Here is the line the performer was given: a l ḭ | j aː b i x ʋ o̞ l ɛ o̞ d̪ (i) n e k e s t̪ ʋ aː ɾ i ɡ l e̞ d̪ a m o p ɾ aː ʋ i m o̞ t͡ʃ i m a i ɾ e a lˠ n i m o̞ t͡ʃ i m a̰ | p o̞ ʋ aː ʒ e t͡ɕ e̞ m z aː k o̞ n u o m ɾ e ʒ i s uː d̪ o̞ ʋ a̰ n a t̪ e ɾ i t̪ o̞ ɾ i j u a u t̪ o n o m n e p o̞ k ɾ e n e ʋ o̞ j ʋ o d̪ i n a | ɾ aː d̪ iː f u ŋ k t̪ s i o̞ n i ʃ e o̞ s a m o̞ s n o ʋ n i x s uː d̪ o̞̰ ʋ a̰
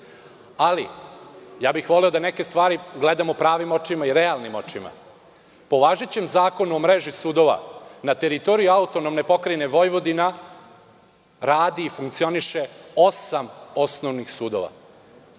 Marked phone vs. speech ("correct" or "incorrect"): incorrect